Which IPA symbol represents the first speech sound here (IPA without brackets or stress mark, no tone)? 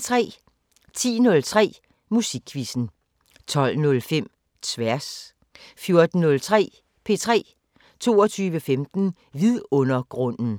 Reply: t͡sʰ